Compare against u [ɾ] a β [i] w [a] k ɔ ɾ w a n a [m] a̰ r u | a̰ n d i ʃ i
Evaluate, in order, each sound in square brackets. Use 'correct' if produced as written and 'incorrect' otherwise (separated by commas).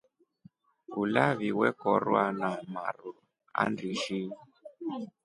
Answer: incorrect, correct, incorrect, correct